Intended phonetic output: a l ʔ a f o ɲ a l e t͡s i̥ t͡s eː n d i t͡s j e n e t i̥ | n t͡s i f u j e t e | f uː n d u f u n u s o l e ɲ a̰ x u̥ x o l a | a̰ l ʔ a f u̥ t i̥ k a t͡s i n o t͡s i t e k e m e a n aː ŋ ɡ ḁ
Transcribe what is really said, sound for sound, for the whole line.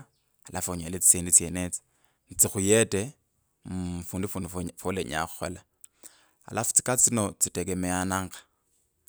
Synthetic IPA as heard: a l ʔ a f o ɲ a l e t͡s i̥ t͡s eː n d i t͡s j e n e t͡s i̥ | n t͡s i x u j e t e | f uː n d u f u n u f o l e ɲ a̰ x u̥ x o l a | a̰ l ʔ a f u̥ t͡s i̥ k a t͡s i n o t͡s i t e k e m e a n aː ŋ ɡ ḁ